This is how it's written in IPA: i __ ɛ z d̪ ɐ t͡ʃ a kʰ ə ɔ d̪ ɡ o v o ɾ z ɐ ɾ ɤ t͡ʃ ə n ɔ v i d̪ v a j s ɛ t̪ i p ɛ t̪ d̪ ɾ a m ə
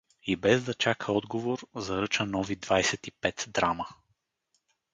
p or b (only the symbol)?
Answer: b